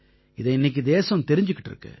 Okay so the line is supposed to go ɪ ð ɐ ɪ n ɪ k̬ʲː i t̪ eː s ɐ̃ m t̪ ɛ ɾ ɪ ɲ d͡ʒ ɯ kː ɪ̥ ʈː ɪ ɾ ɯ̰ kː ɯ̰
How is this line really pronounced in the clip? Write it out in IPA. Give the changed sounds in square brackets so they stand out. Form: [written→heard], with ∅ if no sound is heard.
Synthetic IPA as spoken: ɪ ð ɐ ɪ [n→nː] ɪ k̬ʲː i [t̪→d̪] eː s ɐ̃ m t̪ ɛ ɾ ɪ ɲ d͡ʒ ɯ kː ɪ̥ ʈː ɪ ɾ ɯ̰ kː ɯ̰